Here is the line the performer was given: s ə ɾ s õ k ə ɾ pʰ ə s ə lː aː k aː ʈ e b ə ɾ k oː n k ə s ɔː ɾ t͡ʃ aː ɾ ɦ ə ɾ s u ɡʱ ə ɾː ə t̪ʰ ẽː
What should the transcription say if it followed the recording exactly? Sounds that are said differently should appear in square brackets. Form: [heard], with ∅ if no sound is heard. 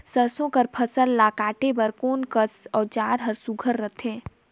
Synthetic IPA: s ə ɾ s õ k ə ɾ pʰ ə s ə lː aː k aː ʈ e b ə ɾ k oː n k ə s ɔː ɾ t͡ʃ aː ɾ ɦ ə ɾ s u ɡʱ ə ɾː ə t̪ʰ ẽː